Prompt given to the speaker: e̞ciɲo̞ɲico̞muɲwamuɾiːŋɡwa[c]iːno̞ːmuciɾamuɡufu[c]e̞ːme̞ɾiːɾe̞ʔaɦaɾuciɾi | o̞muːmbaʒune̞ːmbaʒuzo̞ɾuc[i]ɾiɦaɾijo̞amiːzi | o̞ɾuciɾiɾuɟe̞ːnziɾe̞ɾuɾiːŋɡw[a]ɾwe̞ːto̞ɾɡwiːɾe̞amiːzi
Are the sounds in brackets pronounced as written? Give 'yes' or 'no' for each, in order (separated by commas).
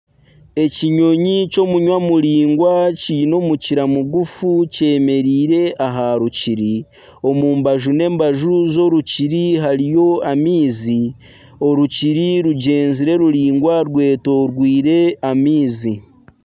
yes, yes, yes, yes